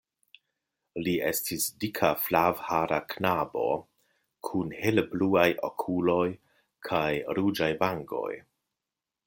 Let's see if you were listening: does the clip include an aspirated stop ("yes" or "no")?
yes